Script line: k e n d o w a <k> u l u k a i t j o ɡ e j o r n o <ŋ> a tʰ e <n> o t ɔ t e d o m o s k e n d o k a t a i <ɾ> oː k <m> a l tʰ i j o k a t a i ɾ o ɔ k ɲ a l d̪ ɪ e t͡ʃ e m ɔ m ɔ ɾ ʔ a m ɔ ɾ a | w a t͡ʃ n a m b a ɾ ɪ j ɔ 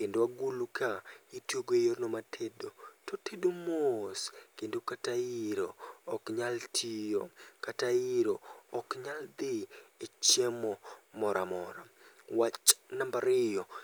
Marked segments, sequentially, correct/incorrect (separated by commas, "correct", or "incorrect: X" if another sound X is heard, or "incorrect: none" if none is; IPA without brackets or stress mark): incorrect: ɡ, incorrect: m, incorrect: d, correct, incorrect: ɲ